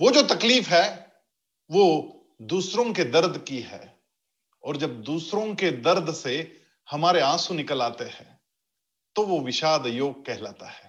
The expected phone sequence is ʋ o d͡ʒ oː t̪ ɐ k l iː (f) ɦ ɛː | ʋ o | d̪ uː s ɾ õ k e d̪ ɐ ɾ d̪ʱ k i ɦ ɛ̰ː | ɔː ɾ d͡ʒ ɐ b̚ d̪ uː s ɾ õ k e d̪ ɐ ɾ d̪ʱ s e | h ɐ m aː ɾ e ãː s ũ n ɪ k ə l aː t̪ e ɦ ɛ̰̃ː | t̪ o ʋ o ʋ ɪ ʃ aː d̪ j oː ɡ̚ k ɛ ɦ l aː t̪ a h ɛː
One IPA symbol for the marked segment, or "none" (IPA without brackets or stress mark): f